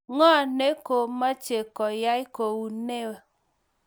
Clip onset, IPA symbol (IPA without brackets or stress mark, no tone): ŋ